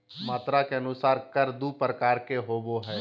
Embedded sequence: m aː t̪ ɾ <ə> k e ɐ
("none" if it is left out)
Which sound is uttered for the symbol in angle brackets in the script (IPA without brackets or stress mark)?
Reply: a